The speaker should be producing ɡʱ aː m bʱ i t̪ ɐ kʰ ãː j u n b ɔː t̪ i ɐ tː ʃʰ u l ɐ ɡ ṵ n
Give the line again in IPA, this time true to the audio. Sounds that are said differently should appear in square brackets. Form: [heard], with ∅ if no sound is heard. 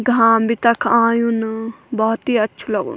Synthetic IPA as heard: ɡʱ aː m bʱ i t̪ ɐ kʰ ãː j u n b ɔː t̪ i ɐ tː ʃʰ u l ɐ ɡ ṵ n